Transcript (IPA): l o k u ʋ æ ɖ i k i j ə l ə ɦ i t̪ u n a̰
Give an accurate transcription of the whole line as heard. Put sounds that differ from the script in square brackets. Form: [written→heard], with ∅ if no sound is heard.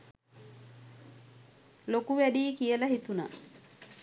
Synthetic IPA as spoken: l o k u ʋ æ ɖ [i→iː] k i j ə l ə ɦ i t̪ u n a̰